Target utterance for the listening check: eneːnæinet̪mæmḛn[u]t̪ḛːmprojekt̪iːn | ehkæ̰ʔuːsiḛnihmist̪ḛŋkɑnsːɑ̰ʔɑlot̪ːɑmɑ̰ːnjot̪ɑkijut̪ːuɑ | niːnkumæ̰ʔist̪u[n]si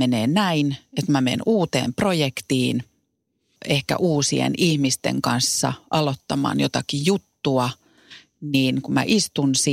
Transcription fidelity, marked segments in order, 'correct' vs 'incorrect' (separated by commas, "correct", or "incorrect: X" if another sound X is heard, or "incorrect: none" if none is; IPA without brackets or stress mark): incorrect: uː, correct